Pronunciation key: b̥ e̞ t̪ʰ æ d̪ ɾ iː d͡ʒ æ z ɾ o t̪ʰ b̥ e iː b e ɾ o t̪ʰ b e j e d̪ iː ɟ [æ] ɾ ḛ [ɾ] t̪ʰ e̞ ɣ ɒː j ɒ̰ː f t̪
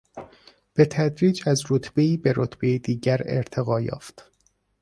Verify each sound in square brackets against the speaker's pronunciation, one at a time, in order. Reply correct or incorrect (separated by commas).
correct, correct